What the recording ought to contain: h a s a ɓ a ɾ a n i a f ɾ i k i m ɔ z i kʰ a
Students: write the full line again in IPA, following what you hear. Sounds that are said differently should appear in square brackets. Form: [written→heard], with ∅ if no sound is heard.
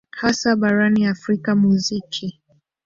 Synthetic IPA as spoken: h a s a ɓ a ɾ a n i a f ɾ i k [i→a] m [ɔ→u] z i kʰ [a→i]

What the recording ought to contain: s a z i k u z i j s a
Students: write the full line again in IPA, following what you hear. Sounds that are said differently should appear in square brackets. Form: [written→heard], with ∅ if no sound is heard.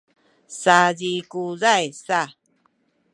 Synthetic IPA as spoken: s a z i k u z [i→a] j s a

